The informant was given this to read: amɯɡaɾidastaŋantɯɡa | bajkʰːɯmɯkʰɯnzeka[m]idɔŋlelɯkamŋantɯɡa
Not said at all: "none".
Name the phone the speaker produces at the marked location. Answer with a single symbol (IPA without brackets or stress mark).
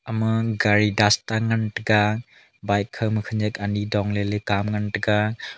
n